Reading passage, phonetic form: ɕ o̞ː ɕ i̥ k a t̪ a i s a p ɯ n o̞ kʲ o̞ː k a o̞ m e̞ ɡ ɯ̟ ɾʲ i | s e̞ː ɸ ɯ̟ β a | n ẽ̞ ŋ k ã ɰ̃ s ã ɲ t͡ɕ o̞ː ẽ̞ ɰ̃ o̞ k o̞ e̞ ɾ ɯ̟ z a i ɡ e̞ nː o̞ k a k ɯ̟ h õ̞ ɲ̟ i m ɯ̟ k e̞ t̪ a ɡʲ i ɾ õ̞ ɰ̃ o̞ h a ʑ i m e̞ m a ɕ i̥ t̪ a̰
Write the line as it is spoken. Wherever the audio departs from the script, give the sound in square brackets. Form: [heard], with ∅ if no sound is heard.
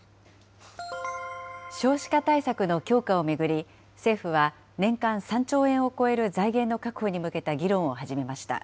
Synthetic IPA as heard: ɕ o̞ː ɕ i̥ k a t̪ a i s a [k] ɯ n o̞ kʲ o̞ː k a o̞ m e̞ ɡ ɯ̟ ɾʲ i | s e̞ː ɸ ɯ̟ β a | n ẽ̞ ŋ k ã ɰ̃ s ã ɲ t͡ɕ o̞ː ẽ̞ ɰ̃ o̞ k o̞ e̞ ɾ ɯ̟ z a i ɡ [ẽ̞] nː o̞ k a k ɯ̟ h [o̞] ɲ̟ i m ɯ̟ k e̞ t̪ a ɡʲ i ɾ õ̞ ɰ̃ o̞ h a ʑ i m e̞ m a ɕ i̥ t̪ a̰